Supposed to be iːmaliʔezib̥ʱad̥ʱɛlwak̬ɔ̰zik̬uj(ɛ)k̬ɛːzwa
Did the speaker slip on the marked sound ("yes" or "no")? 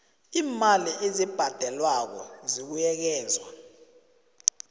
no